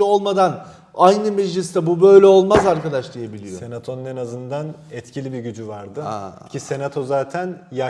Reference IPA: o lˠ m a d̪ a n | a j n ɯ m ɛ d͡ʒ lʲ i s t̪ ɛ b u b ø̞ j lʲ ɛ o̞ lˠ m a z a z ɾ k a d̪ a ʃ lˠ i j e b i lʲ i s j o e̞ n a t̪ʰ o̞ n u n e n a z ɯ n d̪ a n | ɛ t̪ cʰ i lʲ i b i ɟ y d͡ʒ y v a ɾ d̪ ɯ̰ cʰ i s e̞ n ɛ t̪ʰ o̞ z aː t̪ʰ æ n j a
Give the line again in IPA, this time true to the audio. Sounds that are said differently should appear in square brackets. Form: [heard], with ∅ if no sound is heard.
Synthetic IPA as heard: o lˠ m a d̪ a n | a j n ɯ m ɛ d͡ʒ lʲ i s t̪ ɛ b u b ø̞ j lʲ ɛ o̞ lˠ m a z a [∅] ɾ k a d̪ a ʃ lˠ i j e b i lʲ i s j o e̞ n a t̪ʰ o̞ n u n e n a z ɯ n d̪ a n | ɛ t̪ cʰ i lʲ i b i ɟ y d͡ʒ y v a ɾ d̪ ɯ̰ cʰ i s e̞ n [a] t̪ʰ o̞ z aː t̪ʰ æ n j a